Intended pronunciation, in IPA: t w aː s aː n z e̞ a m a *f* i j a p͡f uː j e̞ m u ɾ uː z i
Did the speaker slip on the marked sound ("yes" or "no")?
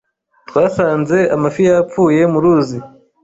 no